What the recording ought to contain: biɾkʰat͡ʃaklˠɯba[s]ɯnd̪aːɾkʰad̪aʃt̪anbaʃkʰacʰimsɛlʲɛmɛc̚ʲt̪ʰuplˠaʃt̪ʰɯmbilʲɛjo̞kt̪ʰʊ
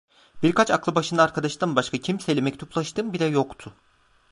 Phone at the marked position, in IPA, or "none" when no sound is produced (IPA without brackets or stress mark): ʃ